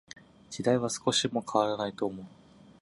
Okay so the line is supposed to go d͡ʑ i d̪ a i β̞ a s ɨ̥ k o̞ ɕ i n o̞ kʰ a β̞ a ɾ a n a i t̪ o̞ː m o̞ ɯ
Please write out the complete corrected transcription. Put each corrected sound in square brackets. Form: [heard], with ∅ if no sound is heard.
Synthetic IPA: d͡ʑ i d̪ a i β̞ a s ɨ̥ k o̞ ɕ i [m] o̞ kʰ a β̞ a ɾ a n a i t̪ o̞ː m o̞ ɯ